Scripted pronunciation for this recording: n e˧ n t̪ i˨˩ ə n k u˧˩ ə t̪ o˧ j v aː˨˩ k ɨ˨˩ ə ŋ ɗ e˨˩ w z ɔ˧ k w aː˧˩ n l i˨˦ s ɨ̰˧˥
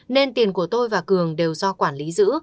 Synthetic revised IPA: n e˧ n t̪ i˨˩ ə n k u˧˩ ə t̪ o˧ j v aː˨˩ k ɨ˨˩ ə ŋ ɗ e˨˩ w z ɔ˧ k w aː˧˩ n l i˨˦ z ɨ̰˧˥